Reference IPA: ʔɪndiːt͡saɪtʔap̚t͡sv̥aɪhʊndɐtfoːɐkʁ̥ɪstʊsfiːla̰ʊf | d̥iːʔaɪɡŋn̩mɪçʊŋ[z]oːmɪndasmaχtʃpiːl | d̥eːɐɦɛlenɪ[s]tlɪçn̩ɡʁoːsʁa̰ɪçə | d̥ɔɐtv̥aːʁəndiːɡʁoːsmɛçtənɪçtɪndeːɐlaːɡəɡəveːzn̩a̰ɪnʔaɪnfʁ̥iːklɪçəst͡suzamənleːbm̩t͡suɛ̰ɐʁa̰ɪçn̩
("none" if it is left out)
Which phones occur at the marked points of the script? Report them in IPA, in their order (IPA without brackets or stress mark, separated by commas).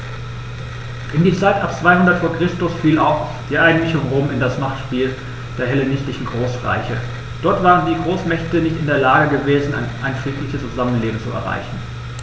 ʁ, s